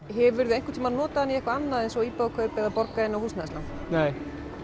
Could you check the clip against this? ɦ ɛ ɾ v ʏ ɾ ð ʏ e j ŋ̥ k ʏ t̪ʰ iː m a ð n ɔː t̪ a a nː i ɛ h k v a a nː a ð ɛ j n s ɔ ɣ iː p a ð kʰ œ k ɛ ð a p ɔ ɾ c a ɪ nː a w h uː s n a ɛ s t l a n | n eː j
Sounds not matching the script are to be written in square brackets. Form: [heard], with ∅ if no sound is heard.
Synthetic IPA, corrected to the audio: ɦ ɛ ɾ v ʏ ɾ ð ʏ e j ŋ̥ k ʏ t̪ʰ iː m a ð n ɔː t̪ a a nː i ɛ h k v a a nː a ð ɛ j n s ɔ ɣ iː p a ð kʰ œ [p] ɛ ð a p ɔ ɾ [k] a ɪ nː a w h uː s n a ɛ s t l a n | n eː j